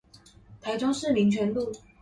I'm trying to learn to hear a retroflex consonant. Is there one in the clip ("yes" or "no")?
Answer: yes